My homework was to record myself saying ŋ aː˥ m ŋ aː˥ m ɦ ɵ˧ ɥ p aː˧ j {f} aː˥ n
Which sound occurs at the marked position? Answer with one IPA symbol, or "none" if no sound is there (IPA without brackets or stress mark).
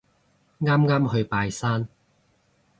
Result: s